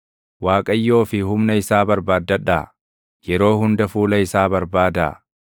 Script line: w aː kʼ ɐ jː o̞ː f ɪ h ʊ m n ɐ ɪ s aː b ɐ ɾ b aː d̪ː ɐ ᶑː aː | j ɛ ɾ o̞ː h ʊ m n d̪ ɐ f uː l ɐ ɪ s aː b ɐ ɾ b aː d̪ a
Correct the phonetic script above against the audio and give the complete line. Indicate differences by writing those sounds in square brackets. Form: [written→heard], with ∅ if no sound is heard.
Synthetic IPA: w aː kʼ ɐ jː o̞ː f ɪ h ʊ m n ɐ ɪ s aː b ɐ ɾ b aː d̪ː ɐ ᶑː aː | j ɛ ɾ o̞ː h ʊ [m→∅] n d̪ ɐ f uː l ɐ ɪ s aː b ɐ ɾ b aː d̪ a